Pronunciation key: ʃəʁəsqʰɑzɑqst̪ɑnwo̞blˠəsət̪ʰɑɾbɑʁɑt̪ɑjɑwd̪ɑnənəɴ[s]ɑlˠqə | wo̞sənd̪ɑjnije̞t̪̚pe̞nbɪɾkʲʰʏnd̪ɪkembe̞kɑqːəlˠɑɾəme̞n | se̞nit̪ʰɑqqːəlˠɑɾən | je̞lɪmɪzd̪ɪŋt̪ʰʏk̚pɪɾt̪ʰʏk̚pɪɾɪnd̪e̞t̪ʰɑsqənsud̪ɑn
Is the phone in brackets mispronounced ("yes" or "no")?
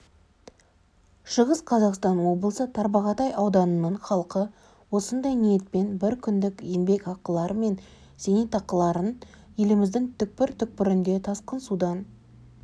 yes